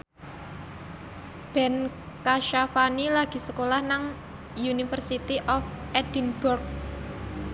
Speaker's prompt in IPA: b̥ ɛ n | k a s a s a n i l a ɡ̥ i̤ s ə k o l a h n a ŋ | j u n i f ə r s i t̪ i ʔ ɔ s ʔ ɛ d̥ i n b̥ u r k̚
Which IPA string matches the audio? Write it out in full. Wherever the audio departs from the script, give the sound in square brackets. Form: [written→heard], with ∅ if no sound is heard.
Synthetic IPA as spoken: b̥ ɛ n | k a [s→ʃ] a [s→f] a n i l a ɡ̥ i̤ s ə k o l a h n a ŋ | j u n i f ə r s i t̪ i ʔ ɔ [s→f] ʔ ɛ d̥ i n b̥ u r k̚